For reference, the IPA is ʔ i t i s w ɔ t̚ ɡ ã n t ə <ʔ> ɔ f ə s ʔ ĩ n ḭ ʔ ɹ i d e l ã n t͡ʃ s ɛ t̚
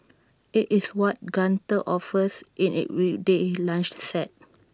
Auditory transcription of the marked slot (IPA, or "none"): ʔ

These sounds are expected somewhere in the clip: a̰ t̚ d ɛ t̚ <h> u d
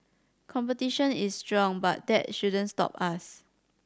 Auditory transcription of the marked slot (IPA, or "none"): ʃ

